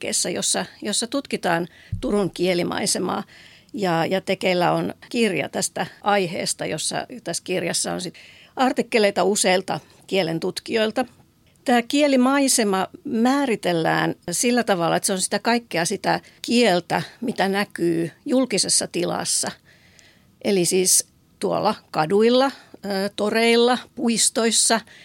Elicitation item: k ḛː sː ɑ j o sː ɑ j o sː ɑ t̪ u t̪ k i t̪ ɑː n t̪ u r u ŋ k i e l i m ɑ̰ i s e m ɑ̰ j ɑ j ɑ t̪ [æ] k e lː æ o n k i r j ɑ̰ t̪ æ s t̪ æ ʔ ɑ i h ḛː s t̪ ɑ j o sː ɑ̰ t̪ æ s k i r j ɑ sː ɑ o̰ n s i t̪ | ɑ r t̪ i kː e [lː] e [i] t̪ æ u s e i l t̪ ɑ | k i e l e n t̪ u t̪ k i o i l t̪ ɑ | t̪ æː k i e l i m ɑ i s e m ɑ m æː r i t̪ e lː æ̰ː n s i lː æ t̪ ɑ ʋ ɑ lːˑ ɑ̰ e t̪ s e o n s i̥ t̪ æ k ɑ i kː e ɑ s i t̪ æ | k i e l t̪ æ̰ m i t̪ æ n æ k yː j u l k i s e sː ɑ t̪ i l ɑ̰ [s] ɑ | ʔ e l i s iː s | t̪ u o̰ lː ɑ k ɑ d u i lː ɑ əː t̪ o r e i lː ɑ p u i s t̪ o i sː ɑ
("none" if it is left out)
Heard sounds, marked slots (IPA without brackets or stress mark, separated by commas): e, l, i, sː